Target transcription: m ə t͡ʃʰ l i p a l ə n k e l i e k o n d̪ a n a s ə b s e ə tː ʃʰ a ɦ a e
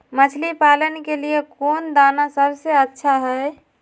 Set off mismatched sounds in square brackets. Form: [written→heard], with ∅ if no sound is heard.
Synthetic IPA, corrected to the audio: m ə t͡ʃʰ l i p a l ə n k e l i e k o n d̪ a n a s ə b s e ə tː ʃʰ a ɦ [a→ɛ] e